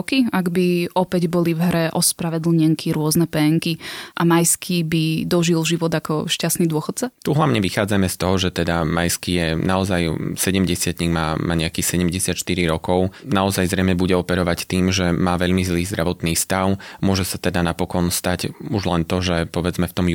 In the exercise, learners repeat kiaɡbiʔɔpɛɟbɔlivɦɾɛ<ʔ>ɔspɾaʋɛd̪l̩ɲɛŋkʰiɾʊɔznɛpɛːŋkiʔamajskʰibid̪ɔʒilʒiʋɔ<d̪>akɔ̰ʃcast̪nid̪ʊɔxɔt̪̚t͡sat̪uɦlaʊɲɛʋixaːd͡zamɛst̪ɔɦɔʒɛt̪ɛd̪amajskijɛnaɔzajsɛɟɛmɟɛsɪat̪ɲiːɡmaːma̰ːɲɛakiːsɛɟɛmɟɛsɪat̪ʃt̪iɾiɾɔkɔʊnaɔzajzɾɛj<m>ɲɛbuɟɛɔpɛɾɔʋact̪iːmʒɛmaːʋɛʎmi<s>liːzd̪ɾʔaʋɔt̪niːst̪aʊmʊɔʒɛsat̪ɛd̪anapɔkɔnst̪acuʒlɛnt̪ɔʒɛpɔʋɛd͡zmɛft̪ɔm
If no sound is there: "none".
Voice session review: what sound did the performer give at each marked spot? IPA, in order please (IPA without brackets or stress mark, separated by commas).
ʔ, d̪, m, z